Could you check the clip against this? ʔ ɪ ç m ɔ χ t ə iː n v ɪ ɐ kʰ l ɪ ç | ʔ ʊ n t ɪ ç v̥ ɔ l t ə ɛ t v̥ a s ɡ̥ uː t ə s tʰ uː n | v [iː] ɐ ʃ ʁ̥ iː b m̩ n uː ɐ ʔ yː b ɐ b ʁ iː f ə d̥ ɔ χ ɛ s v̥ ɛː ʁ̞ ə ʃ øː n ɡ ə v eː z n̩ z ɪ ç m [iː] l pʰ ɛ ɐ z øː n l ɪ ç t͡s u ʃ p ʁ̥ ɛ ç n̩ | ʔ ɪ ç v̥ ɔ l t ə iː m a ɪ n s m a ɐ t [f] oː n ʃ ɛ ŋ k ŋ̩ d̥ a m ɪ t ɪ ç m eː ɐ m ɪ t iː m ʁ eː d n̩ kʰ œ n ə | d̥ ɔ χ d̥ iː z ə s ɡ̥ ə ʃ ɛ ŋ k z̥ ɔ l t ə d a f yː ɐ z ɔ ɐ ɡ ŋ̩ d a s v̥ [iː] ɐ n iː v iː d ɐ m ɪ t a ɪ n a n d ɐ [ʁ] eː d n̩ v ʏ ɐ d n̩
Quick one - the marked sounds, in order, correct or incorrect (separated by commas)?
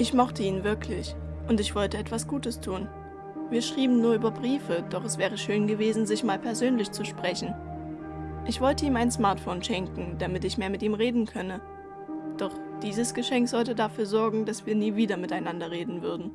correct, incorrect, correct, correct, correct